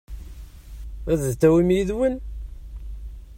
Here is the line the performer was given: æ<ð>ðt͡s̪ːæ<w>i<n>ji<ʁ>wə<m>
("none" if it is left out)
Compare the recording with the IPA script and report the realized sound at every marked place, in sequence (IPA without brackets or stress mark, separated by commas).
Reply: ð, w, m, ð, n